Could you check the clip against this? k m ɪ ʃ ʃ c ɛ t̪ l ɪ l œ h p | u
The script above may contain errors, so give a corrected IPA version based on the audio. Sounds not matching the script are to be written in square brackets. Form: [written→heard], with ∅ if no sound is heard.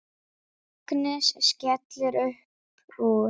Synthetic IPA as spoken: k [m→n] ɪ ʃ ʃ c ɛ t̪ l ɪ [l→ɾ] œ h p | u